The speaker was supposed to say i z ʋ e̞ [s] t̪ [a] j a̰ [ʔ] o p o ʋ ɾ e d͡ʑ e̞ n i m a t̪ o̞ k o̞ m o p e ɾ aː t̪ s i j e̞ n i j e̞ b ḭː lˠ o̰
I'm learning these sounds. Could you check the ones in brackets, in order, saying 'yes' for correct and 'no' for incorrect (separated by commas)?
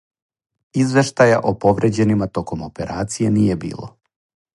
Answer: no, yes, yes